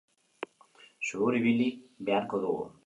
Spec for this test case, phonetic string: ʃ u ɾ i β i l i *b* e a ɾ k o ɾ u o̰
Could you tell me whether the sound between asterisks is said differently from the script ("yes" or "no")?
no